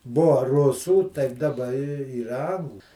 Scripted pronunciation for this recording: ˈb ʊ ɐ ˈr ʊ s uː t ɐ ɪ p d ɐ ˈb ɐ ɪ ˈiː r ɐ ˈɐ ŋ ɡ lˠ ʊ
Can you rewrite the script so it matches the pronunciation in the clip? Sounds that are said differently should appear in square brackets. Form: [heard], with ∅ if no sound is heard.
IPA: ˈb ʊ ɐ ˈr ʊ s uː t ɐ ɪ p d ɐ ˈb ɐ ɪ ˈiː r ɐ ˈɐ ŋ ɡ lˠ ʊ

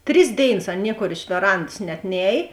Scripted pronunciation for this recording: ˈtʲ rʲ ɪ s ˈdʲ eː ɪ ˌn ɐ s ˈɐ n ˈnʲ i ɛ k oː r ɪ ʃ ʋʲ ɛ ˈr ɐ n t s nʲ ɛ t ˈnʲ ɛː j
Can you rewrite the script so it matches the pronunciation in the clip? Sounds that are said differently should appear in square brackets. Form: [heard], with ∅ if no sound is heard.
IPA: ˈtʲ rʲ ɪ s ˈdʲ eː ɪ ˌn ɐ s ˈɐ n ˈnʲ i ɛ k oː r ɪ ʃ ʋʲ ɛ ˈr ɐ n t s nʲ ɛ t ˈnʲ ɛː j

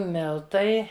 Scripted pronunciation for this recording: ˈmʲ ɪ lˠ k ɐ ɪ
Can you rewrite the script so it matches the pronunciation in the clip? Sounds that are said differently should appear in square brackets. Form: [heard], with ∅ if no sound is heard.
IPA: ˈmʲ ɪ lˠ [t] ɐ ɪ

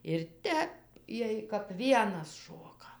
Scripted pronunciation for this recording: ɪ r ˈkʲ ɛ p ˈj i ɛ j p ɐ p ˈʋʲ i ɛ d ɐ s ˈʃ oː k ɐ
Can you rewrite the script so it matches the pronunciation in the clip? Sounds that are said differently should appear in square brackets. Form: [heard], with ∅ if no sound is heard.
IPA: ɪ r [ˈtʲ] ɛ p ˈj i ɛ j [k] ɐ p ˈʋʲ i ɛ [n] ɐ s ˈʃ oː k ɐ

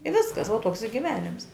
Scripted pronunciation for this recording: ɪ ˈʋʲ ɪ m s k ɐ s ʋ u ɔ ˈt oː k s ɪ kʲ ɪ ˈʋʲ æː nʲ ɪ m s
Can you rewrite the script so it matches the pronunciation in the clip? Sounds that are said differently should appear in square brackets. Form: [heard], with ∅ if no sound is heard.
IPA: ɪ ˈʋʲ ɪ [∅] s k ɐ s ʋ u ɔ ˈt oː k s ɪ [ɡʲ] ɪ ˈʋʲ æː nʲ ɪ m s

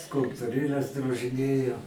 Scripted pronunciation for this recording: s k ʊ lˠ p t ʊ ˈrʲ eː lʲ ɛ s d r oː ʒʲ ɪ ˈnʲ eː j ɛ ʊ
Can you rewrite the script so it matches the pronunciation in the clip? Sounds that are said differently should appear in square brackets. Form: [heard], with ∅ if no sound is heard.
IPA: s k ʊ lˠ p t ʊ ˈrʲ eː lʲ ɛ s d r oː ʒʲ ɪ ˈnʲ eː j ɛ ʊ

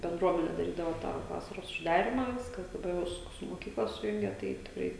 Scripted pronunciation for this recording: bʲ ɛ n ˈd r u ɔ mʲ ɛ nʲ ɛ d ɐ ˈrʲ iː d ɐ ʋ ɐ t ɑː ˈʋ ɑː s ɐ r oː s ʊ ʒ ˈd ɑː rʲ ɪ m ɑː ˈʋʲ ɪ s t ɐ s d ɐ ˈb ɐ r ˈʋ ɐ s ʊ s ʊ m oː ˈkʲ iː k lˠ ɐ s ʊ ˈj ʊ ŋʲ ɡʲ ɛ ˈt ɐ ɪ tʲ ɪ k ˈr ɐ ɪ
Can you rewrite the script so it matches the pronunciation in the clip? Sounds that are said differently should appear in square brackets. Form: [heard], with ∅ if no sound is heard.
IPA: bʲ ɛ n ˈd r u ɔ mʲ ɛ nʲ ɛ d ɐ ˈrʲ iː d ɐ ʋ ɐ t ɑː ˈʋ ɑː s ɐ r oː s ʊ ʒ ˈd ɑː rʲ ɪ m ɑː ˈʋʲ ɪ s [k] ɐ s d ɐ ˈb ɐ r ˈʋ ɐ s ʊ s ʊ m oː ˈkʲ iː k lˠ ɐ s ʊ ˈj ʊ ŋʲ ɡʲ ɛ ˈt ɐ ɪ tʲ ɪ k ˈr ɐ ɪ

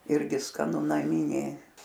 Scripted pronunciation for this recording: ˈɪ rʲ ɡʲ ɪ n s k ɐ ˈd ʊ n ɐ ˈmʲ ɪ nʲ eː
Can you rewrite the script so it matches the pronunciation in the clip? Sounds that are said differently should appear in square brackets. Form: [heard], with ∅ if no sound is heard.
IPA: ˈɪ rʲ ɡʲ ɪ [∅] s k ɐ [ˈn] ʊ n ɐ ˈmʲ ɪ nʲ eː

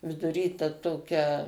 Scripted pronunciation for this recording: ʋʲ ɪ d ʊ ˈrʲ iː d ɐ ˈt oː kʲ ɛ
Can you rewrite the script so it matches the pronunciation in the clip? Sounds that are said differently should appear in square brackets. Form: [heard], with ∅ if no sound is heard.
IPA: ʋʲ ɪ d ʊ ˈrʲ iː [t] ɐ ˈt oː kʲ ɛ

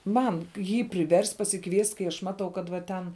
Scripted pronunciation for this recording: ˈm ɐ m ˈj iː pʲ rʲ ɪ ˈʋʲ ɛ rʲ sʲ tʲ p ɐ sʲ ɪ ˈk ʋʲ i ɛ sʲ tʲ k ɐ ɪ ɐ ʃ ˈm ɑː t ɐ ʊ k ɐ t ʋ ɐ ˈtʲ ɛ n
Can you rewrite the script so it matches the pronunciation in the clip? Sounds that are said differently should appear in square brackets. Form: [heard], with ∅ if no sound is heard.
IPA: ˈm ɐ [n] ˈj iː pʲ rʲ ɪ ˈʋʲ ɛ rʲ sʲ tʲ p ɐ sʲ ɪ ˈk ʋʲ i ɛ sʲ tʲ k ɐ ɪ ɐ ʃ ˈm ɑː t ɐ ʊ k ɐ t ʋ ɐ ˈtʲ ɛ n

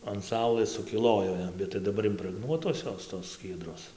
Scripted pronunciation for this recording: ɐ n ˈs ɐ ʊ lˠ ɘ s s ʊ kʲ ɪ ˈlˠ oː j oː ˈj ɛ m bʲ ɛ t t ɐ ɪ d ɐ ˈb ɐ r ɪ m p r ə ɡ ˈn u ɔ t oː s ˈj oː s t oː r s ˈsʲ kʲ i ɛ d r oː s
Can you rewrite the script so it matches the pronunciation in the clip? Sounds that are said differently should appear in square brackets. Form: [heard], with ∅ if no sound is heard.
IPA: ɐ n ˈs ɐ ʊ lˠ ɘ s s ʊ kʲ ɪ ˈlˠ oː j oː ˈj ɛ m bʲ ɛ t t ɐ ɪ d ɐ ˈb ɐ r ɪ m p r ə ɡ ˈn u ɔ t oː s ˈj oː s t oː [∅] s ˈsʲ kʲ i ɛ d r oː s

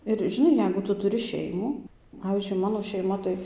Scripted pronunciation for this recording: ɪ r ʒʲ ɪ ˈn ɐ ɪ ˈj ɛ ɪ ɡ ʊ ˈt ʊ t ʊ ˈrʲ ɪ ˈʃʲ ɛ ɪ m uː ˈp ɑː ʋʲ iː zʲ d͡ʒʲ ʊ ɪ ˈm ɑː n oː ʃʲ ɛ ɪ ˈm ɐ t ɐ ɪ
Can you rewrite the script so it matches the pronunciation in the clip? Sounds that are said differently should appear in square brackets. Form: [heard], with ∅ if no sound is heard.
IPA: ɪ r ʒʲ ɪ ˈn ɐ ɪ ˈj ɛ ɪ ɡ ʊ ˈt ʊ t ʊ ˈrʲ ɪ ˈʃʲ ɛ ɪ m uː ˈp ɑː ʋʲ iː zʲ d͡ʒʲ ʊ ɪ ˈm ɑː n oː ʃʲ ɛ ɪ ˈm ɐ t ɐ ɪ

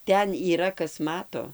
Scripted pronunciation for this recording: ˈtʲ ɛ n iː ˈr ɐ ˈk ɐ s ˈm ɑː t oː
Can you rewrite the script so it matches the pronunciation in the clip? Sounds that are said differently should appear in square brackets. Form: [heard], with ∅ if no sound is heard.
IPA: ˈtʲ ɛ n iː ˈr ɐ ˈk ɐ s ˈm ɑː t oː

